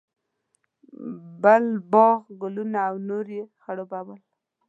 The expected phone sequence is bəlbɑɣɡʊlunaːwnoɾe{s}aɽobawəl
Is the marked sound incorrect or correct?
incorrect: x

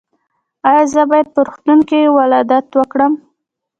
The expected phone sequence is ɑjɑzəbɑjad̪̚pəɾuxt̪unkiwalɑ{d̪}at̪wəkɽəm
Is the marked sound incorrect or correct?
correct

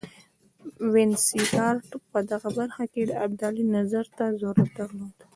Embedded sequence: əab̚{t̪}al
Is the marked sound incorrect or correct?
incorrect: d̪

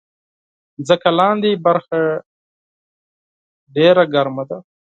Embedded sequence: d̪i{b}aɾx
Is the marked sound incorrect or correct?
correct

